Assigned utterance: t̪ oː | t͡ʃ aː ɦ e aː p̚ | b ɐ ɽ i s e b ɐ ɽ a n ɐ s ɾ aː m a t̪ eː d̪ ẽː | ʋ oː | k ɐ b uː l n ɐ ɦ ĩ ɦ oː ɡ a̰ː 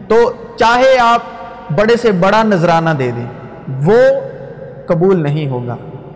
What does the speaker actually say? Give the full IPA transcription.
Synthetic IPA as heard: t̪ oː | t͡ʃ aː ɦ e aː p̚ | b ɐ ɽ e s e b ɐ ɽ a n ɐ z ɾ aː n a d̪ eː d̪ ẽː | ʋ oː | k ɐ b uː l n ɐ ɦ ĩ ɦ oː ɡ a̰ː